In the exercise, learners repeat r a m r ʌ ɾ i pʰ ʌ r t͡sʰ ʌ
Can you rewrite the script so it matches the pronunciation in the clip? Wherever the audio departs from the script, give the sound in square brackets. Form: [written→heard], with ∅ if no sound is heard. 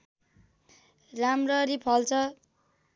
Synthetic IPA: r a m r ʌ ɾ i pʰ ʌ [r→l] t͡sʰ ʌ